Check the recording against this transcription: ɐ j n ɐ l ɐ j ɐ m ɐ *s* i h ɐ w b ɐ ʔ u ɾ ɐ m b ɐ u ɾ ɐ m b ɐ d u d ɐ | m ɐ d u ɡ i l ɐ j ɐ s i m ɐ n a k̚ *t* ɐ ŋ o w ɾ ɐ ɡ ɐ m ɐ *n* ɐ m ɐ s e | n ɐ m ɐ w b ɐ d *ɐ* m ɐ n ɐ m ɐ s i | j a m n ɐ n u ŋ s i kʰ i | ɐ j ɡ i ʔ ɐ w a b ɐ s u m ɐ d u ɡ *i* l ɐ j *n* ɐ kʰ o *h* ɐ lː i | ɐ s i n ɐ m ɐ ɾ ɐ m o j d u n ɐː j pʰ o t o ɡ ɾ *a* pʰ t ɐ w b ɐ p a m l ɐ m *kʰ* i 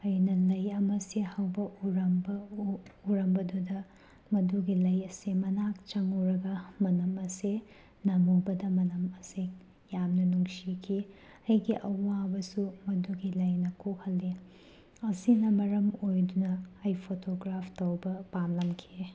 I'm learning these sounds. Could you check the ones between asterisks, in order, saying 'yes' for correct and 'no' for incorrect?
yes, no, yes, yes, yes, yes, yes, yes, yes

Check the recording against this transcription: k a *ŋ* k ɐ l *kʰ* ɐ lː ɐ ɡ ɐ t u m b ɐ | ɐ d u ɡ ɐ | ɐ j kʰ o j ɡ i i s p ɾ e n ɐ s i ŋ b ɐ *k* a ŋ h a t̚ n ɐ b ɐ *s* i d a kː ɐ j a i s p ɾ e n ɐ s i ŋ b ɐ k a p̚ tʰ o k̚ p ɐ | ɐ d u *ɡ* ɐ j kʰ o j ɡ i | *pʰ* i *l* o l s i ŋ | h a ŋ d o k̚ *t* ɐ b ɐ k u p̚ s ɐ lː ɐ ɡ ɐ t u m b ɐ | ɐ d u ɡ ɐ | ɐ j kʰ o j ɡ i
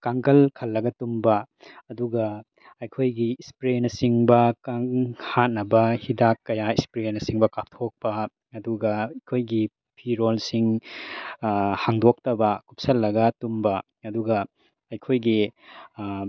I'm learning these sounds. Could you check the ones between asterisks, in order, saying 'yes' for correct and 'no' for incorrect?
yes, yes, yes, no, yes, yes, no, yes

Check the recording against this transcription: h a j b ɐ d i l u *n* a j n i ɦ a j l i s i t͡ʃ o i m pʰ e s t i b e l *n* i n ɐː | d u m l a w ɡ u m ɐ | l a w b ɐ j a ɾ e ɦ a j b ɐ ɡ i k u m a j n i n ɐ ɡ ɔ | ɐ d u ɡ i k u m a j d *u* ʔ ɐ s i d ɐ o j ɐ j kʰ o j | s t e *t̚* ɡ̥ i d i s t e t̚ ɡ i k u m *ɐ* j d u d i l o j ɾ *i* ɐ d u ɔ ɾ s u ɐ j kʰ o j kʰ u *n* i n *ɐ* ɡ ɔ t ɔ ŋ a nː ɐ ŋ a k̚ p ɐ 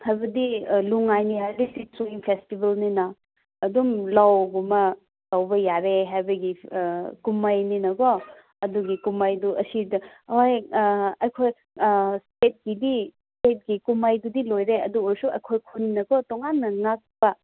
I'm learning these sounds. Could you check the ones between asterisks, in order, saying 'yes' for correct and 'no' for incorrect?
no, yes, yes, yes, no, no, yes, yes

